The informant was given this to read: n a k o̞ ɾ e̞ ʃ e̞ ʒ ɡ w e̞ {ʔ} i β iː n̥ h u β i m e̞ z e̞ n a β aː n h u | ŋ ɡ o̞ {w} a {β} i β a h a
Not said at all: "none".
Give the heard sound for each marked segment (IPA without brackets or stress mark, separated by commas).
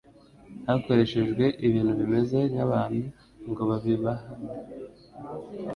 ʔ, β, β